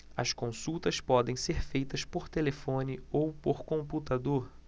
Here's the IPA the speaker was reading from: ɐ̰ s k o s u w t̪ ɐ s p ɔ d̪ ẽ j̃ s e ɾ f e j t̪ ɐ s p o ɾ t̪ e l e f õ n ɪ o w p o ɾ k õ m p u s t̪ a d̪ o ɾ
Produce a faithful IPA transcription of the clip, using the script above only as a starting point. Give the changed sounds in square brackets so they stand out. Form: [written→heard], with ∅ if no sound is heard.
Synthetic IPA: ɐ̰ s k [o→õ] s u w t̪ ɐ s p ɔ d̪ ẽ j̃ s e ɾ f e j t̪ ɐ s p o ɾ t̪ e l e f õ n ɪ o w p o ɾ k õ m p u [s→∅] t̪ a d̪ o ɾ